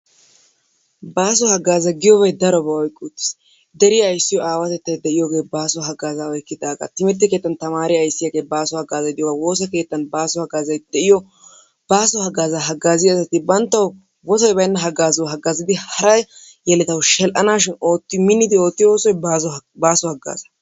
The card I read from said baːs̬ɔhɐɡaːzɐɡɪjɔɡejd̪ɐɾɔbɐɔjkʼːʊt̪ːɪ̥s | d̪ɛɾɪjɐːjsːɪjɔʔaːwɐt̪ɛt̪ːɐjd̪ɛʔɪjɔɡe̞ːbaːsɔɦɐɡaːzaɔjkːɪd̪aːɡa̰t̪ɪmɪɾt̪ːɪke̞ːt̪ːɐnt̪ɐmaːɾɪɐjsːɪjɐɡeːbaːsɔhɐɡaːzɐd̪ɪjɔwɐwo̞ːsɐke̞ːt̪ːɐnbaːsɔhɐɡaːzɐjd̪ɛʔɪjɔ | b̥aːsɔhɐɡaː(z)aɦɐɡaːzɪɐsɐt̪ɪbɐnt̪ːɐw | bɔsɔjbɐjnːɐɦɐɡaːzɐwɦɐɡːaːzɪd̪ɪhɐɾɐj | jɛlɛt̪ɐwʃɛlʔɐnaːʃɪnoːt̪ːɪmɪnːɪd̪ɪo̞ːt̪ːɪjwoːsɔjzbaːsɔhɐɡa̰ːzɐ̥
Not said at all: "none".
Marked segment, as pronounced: z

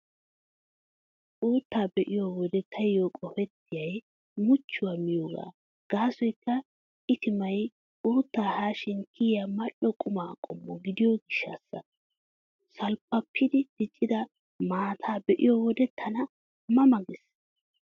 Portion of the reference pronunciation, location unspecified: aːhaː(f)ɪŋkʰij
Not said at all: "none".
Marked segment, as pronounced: ʃ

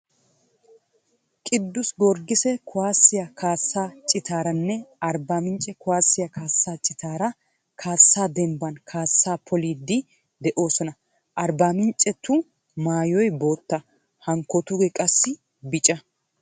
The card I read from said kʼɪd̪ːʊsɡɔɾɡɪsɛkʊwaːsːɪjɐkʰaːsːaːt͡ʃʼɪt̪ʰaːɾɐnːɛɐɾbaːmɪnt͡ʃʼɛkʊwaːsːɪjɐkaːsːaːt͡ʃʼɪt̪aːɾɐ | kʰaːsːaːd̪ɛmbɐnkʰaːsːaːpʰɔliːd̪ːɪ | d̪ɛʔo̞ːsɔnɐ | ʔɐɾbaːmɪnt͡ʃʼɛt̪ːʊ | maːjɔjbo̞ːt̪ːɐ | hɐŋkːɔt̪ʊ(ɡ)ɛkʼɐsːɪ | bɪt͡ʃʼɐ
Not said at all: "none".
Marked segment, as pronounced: ɡ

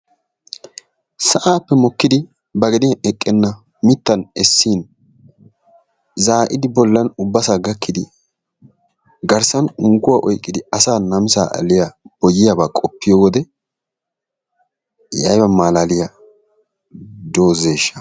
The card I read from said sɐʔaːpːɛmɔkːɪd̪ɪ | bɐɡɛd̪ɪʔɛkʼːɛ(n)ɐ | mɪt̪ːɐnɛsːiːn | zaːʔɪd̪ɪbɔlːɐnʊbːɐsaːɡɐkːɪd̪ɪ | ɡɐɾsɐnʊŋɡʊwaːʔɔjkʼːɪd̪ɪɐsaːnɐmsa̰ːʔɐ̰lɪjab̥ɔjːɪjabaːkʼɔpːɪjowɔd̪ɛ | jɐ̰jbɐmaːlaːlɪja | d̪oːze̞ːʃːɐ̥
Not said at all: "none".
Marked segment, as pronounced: nː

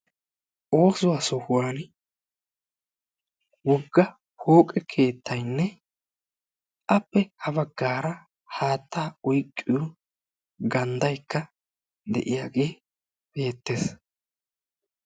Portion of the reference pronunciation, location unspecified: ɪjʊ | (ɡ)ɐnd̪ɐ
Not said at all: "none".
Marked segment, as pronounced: ɡ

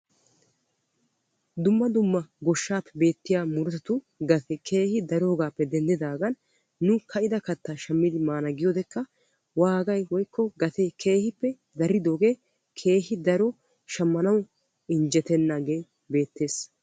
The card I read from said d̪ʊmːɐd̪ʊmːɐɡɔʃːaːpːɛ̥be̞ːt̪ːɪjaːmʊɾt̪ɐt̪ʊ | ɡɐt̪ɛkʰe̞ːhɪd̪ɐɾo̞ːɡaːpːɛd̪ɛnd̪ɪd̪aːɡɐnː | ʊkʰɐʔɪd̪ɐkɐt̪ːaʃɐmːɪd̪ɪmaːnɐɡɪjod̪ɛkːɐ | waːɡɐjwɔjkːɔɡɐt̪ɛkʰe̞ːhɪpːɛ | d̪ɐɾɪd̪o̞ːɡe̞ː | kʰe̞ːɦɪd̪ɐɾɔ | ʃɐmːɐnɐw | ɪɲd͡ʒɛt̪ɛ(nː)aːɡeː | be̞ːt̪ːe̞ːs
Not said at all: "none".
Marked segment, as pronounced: nː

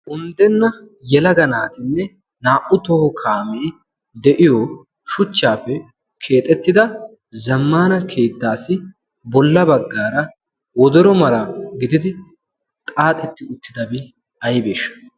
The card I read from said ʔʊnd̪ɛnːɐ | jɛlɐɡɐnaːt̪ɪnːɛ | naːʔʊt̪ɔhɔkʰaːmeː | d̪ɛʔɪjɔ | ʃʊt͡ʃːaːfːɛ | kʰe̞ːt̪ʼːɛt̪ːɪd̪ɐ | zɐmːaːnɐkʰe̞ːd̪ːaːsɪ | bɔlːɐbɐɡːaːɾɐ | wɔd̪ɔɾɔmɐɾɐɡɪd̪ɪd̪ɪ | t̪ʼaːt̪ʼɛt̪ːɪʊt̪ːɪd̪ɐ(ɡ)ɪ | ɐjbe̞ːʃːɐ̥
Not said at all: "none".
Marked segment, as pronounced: b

